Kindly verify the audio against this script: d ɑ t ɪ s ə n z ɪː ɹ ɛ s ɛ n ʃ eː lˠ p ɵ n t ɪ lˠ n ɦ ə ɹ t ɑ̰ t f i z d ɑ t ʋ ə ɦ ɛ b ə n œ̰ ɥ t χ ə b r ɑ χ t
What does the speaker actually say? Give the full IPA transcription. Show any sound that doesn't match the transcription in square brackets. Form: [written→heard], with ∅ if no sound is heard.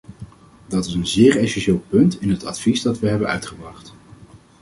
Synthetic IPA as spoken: d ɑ t ɪ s ə n z ɪː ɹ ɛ s ɛ n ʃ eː lˠ p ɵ n t ɪ [lˠ→∅] n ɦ ə [ɹ→∅] t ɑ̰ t f i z d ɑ t ʋ ə ɦ ɛ b ə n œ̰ ɥ t χ ə b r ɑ χ t